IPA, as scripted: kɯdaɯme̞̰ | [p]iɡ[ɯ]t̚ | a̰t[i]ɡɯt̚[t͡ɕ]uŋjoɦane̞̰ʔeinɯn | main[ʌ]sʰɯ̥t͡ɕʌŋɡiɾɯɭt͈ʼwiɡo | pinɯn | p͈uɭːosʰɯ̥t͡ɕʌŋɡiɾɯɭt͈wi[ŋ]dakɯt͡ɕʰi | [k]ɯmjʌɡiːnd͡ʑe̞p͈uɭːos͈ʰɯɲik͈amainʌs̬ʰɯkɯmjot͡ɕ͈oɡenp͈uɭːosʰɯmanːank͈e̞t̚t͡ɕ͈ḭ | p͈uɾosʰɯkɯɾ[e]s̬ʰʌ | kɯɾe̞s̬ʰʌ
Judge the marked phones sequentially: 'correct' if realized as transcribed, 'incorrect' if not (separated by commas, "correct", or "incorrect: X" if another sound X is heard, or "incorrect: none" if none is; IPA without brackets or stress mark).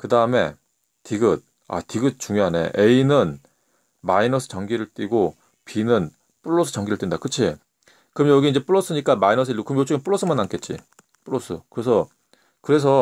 incorrect: t, correct, correct, correct, correct, incorrect: n, correct, correct